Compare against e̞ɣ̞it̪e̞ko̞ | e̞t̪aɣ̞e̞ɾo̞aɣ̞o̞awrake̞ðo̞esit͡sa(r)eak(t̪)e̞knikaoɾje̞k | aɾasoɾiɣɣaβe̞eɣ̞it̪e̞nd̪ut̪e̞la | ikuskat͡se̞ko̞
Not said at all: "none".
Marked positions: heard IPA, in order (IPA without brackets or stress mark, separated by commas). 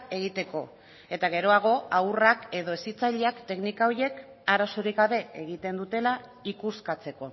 ʎ, t̪